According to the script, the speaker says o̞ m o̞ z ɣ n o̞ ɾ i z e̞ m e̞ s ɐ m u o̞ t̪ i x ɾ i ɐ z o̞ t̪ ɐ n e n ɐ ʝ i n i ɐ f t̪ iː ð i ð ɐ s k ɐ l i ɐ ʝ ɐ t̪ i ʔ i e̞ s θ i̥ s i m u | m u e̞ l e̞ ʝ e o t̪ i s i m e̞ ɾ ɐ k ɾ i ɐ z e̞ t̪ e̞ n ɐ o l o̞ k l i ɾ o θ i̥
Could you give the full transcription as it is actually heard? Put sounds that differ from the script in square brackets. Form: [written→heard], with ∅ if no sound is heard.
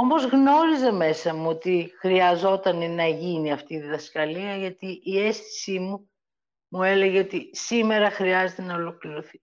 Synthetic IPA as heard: o̞ m o̞ z ɣ n o̞ ɾ i z e̞ m e̞ s ɐ m u o̞ t̪ i x ɾ i ɐ z o̞ t̪ ɐ n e n ɐ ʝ i n i ɐ f t̪ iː ð i ð ɐ s k ɐ l i ɐ ʝ ɐ t̪ i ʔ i e̞ s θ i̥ s i m u | m u e̞ l e̞ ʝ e o t̪ i s i m e̞ ɾ ɐ [k→x] ɾ i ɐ z e̞ t̪ e̞ n ɐ o l o̞ k l i ɾ o θ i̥